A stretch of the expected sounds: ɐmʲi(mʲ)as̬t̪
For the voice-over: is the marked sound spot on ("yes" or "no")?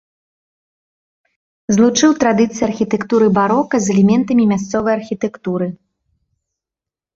yes